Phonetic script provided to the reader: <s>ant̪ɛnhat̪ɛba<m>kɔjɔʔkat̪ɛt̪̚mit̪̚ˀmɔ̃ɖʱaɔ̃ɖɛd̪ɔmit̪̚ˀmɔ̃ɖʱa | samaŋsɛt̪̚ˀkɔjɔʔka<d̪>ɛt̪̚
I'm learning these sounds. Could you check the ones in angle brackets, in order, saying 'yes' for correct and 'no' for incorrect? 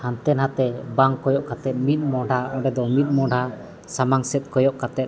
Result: no, no, no

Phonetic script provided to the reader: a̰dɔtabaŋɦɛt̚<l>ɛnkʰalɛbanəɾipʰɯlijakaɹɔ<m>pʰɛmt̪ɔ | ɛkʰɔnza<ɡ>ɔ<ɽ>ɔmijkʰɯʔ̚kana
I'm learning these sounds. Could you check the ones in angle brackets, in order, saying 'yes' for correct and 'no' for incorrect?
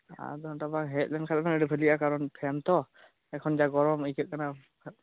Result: yes, no, yes, no

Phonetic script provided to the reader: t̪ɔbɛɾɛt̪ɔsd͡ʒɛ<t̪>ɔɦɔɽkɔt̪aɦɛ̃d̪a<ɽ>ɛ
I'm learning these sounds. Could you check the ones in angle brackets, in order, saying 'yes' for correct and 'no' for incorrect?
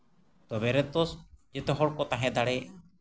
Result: yes, yes

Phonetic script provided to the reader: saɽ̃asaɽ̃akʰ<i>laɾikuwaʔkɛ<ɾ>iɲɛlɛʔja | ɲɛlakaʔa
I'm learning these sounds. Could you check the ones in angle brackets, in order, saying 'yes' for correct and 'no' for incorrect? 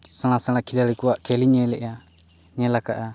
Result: yes, no

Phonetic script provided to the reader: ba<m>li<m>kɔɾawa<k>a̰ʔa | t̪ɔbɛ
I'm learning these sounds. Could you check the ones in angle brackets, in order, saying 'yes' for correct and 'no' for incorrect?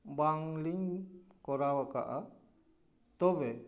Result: no, no, yes

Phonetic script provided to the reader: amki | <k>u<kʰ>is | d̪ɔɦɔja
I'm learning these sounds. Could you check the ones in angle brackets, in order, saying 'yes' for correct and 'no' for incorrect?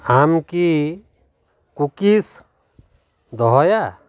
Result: yes, no

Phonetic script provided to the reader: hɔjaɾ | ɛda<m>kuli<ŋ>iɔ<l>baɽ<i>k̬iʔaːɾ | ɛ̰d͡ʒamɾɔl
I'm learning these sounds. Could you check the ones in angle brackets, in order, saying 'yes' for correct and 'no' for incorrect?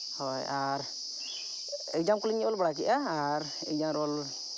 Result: yes, no, yes, no

